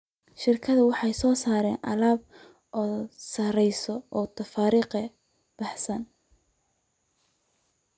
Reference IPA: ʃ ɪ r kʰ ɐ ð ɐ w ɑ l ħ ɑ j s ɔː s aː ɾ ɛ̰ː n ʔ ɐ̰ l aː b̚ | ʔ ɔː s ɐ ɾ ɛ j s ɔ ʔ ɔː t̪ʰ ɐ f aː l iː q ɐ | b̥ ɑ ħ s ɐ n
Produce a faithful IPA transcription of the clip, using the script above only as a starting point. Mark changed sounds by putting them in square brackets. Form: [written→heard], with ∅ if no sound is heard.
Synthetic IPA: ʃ ɪ r kʰ ɐ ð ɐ w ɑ [l→∅] ħ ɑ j s ɔː s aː ɾ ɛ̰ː n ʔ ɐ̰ l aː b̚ | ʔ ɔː s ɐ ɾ ɛ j s ɔ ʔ ɔː t̪ʰ ɐ f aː [l→ɾ] iː q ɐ | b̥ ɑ ħ s ɐ n